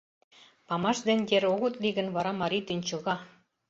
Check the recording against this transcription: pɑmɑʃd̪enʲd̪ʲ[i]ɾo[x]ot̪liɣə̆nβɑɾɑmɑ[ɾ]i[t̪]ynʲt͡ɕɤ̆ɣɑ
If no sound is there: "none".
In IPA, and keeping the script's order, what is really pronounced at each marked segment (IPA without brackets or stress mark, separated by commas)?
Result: e, ɣ, ɾ, t̪